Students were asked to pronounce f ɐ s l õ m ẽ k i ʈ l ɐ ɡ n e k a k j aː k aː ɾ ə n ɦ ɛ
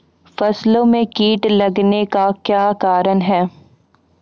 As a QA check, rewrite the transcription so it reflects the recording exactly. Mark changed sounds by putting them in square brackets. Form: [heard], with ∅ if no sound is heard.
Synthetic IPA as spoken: f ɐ s l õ m ẽ k [iː] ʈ l ɐ ɡ n e k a k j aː k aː ɾ ə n ɦ [ɛː]